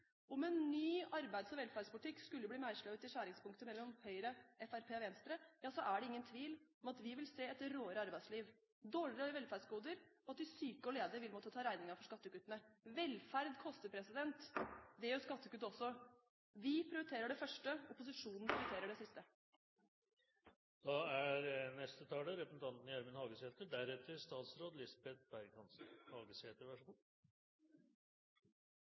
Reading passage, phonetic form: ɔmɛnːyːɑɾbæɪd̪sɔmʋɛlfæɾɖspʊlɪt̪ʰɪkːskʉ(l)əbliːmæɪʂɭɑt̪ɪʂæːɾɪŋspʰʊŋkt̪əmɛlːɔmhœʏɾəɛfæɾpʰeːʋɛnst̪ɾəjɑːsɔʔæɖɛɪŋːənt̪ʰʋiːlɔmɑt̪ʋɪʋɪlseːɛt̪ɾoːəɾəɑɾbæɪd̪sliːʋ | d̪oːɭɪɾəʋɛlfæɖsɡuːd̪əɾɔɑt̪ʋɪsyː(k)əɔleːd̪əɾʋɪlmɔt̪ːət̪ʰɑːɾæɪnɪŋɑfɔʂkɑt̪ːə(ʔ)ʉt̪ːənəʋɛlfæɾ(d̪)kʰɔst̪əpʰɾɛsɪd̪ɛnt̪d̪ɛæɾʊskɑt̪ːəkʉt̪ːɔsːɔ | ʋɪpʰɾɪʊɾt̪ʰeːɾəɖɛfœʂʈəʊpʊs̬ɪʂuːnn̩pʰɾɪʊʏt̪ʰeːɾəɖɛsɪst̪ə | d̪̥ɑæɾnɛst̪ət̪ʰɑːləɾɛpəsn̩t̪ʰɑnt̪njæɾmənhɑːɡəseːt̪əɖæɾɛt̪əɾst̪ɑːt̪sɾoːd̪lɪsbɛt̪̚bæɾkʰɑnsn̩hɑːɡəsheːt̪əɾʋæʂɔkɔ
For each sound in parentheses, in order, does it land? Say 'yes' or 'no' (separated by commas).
no, yes, no, yes